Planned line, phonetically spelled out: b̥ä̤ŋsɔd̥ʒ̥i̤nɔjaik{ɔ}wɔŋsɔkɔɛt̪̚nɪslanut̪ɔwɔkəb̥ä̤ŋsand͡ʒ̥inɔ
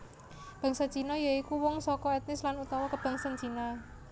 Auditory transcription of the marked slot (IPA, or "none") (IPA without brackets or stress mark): u